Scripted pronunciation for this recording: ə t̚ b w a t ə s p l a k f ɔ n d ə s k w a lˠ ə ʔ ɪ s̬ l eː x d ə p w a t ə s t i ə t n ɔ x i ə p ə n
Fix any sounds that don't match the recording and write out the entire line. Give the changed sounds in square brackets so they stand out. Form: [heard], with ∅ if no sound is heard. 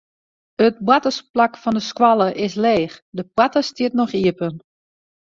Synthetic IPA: ə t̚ b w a t ə s p l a k f ɔ n d ə s k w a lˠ ə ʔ ɪ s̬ l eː x d ə p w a t ə s t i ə t n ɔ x i ə p ə n